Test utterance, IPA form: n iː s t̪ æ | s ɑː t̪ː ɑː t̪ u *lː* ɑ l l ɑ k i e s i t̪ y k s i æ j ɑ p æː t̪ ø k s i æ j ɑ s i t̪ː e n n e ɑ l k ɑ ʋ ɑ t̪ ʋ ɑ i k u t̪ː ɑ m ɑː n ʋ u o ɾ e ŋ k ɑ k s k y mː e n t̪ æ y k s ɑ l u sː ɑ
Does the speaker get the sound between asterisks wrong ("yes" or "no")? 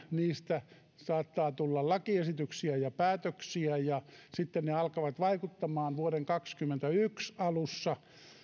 no